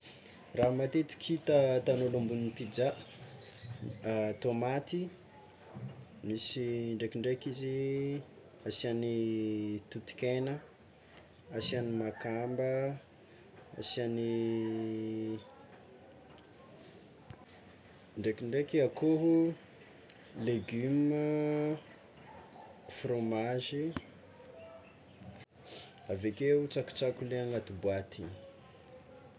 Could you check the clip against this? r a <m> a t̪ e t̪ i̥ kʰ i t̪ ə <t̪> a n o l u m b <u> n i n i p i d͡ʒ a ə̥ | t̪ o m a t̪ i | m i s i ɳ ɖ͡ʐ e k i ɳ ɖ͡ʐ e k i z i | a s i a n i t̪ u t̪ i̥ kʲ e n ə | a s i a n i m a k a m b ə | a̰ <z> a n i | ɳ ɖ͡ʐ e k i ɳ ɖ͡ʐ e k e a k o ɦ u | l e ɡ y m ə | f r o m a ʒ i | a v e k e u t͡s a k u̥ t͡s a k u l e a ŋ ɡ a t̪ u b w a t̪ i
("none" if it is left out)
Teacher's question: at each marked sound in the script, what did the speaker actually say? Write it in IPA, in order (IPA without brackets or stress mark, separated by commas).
m, t̪, u, s